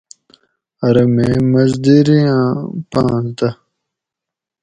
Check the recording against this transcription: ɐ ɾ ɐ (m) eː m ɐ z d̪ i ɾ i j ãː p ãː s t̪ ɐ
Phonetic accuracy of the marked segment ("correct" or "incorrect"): correct